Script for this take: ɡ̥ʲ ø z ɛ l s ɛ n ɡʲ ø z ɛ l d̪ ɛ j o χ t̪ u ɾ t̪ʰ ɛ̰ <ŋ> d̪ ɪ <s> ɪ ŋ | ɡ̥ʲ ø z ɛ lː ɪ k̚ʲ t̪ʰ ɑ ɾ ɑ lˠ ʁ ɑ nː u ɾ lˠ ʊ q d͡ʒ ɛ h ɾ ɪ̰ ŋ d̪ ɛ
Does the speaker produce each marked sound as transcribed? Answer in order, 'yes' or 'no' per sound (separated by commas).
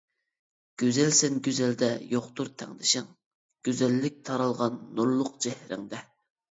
yes, no